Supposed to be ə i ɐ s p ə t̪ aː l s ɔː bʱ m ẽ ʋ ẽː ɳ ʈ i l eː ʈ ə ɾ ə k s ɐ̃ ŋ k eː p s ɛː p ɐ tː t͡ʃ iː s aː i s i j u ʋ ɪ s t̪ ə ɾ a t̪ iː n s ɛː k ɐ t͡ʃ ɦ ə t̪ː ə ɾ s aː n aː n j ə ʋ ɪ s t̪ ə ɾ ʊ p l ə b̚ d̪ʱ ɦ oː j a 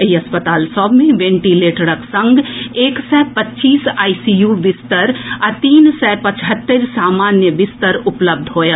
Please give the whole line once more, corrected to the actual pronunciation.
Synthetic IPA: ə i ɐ s p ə t̪ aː l s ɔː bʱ m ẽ ʋ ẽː ɳ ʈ i l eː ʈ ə ɾ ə k s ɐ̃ ŋ ɡ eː k s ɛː p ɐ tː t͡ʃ iː s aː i s i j u ʋ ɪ s t̪ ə ɾ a t̪ iː n s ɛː p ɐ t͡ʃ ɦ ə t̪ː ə ɾ s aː m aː n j ə ʋ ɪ s t̪ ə ɾ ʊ p l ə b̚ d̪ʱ ɦ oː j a